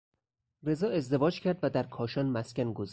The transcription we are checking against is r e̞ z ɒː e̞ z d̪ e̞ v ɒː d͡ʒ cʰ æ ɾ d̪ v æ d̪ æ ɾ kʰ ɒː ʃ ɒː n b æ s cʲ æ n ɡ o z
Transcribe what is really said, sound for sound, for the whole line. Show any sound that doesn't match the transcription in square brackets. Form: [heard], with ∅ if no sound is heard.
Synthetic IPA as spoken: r e̞ z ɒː e̞ z d̪ e̞ v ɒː d͡ʒ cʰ æ ɾ d̪ v æ d̪ æ ɾ kʰ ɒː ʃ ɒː n [m] æ s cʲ æ n ɡ o z